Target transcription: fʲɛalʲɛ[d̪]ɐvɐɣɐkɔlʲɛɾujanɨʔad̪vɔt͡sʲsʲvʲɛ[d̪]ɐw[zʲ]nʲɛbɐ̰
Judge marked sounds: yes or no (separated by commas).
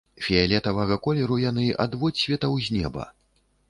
no, no, yes